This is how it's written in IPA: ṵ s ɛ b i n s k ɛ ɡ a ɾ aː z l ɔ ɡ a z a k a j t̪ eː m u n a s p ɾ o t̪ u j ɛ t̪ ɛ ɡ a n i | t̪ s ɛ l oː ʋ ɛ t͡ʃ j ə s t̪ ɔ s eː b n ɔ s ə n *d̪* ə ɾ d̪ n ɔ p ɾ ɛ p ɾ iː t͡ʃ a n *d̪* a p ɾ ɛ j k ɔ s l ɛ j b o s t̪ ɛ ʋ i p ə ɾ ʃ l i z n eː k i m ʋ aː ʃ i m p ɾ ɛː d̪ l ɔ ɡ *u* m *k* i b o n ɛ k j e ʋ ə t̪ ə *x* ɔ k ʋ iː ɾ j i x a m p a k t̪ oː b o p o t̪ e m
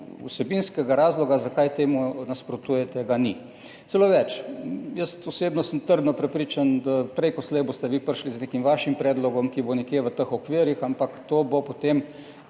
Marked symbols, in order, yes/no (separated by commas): no, yes, no, yes, yes